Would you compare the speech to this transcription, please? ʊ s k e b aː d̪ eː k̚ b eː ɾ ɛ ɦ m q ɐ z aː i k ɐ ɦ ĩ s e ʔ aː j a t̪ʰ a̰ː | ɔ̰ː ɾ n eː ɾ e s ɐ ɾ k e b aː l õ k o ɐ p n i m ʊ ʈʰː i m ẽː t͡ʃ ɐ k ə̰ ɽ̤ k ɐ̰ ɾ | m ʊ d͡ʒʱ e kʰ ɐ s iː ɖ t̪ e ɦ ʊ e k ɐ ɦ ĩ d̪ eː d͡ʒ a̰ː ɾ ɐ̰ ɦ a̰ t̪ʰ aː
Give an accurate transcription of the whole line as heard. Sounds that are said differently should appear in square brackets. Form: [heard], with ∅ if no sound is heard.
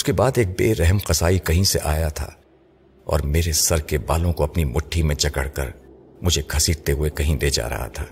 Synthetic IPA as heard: ʊ s k e b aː d̪ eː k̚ b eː ɾ ɛ ɦ m q ɐ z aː i k ɐ ɦ ĩ s e ʔ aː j a t̪ʰ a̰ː | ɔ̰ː ɾ [m] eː ɾ e s ɐ ɾ k e b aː l õ k o ɐ p n i m ʊ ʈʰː i m [ẽ] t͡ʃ ɐ k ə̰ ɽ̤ k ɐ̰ ɾ | m ʊ d͡ʒʱ e kʰ ɐ s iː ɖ t̪ e ɦ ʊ e k ɐ ɦ ĩ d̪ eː d͡ʒ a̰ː ɾ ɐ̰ ɦ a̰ t̪ʰ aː